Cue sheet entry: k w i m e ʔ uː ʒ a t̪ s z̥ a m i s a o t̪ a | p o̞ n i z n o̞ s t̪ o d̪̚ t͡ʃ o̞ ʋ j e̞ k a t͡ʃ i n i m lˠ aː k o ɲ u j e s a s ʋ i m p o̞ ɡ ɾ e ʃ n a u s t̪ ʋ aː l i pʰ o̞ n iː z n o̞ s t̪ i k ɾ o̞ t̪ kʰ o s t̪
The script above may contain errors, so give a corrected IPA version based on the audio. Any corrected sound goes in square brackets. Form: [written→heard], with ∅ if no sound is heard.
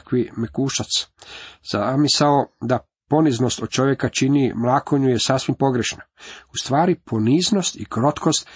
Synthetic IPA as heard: k [w→ʋ] i m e [ʔ→k] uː [ʒ→ʃ] a t̪ s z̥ a m i s a o [t̪→d̪] a | p o̞ n i z n o̞ s t̪ o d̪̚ t͡ʃ o̞ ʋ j e̞ k a t͡ʃ i n i m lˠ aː k o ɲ u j e s a s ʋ i m p o̞ ɡ ɾ e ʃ n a u s t̪ ʋ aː [l→ɾ] i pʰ o̞ n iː z n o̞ s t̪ i k ɾ o̞ t̪ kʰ o s t̪